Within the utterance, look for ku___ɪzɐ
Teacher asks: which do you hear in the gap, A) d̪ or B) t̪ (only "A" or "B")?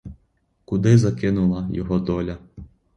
A